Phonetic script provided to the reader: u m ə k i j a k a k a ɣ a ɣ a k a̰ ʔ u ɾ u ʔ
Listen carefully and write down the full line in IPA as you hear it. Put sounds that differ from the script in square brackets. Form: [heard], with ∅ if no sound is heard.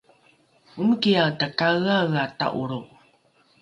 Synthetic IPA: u m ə k i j a [t] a k a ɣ a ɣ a [t] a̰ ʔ u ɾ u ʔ